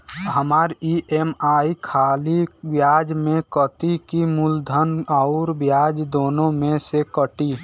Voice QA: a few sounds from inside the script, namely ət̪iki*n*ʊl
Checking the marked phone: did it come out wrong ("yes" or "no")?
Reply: yes